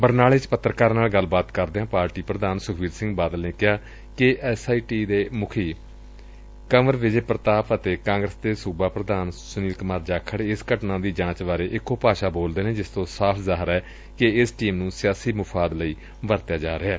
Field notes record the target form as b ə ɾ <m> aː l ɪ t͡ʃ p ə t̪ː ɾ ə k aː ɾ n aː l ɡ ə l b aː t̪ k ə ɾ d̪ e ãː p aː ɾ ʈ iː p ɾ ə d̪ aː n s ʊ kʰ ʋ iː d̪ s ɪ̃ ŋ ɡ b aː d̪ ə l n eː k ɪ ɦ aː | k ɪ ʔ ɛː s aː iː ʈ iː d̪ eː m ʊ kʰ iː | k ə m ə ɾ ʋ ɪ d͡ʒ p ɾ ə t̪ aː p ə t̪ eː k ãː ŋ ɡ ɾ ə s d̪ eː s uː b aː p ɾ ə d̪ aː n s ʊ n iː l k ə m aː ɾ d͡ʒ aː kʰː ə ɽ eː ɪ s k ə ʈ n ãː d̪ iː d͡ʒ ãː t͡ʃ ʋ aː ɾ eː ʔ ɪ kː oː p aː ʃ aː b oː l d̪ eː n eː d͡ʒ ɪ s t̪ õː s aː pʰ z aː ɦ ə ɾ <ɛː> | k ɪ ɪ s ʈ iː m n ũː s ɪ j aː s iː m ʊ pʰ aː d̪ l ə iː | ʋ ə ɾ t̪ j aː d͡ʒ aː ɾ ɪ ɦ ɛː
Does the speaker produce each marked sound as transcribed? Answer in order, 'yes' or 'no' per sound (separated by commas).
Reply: no, yes